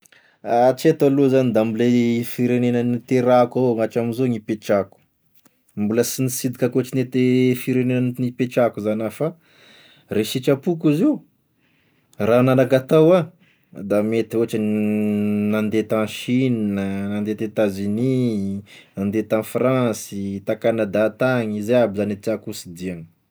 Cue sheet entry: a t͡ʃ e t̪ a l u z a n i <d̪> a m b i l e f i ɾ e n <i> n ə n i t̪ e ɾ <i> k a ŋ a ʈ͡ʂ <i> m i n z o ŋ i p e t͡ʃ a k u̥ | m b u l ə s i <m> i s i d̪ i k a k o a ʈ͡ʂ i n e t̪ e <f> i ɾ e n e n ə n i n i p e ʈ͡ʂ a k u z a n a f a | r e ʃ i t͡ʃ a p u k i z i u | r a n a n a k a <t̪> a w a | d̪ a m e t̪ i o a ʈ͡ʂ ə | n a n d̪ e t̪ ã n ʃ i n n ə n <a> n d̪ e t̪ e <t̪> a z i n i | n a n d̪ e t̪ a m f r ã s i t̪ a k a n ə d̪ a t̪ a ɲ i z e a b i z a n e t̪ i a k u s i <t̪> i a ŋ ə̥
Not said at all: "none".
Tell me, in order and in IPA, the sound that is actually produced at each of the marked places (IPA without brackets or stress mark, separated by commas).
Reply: d̪, e, a, a, n, f, t̪, a, t̪, d̪